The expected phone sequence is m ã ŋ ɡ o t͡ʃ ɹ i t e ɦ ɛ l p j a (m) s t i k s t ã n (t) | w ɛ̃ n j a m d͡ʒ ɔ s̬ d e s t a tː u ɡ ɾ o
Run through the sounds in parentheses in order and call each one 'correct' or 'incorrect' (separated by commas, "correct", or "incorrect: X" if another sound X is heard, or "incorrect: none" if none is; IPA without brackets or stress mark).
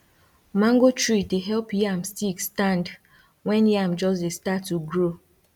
correct, incorrect: d